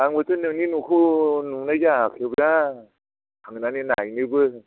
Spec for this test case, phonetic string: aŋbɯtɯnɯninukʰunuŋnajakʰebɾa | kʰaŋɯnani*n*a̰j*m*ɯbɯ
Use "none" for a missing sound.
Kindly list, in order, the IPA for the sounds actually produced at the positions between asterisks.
n, n

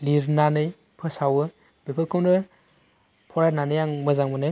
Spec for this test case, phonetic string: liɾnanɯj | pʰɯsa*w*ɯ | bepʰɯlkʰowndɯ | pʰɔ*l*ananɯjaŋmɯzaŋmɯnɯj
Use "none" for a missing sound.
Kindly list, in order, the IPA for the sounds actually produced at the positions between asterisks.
w, ɾ

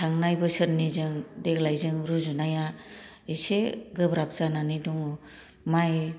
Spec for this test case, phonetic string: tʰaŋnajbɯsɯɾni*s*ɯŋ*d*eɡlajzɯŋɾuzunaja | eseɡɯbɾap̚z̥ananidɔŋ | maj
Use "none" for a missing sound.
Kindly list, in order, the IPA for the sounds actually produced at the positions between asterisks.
z, d

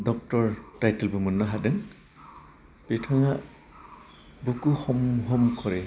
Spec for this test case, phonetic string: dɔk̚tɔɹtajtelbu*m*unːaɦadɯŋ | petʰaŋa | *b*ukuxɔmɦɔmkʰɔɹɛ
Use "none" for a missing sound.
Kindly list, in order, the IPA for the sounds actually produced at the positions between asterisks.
m, b

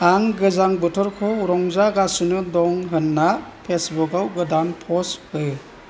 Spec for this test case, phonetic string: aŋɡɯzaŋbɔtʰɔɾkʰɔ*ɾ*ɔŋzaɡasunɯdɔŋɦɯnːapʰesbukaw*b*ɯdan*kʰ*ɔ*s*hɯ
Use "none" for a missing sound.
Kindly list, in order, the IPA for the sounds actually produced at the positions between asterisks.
ɾ, ɡ, pʰ, s

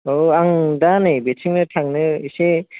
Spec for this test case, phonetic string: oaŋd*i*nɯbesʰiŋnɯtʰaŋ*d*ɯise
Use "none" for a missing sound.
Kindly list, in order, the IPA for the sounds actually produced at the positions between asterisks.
a, n

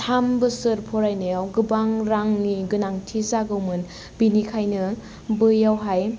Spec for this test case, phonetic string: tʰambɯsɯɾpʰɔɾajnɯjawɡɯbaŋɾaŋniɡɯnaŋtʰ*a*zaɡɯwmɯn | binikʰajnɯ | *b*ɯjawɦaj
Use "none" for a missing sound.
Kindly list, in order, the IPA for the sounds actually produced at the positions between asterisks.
i, b

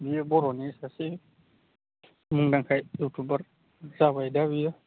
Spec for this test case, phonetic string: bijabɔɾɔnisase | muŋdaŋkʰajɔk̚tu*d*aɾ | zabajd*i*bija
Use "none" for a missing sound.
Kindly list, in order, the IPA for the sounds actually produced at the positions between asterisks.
b, a

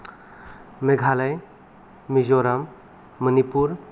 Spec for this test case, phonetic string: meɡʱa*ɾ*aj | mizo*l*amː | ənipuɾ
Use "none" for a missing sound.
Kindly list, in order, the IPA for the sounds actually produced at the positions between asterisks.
l, ɾ

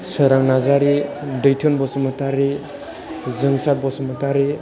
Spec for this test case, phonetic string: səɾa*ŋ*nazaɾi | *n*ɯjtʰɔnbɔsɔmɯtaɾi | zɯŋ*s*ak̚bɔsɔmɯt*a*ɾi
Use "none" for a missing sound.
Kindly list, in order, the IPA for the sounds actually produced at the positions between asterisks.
ŋ, d, s, a

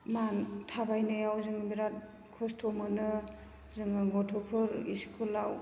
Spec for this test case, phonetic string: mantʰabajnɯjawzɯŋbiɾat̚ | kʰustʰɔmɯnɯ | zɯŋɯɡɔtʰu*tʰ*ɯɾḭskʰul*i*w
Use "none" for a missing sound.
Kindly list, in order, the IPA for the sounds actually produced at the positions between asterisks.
pʰ, a

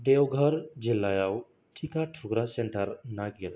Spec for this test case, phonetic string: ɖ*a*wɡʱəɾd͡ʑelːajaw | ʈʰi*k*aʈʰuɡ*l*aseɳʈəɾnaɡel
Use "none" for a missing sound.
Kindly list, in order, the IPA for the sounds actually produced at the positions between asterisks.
e, k, ɾ

